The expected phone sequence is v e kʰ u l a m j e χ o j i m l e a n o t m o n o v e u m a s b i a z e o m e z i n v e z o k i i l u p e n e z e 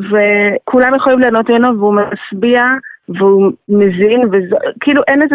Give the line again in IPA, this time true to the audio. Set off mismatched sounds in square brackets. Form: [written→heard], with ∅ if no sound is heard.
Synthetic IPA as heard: v e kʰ u l a m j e χ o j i m l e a n o t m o n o v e u m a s b i a [z→v] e [o→u] m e z i n v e z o k i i l u [p→ʔ] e n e z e